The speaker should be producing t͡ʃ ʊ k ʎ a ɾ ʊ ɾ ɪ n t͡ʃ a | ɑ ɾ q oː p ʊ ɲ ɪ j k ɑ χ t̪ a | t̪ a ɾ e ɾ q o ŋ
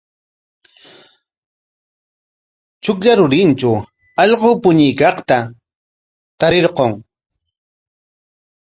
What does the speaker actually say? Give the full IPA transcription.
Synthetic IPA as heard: t͡ʃ ʊ k ʎ a ɾ ʊ ɾ ɪ n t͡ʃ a | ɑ ʎ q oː p ʊ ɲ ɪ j k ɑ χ t̪ a | t̪ a ɾ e ɾ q o ŋ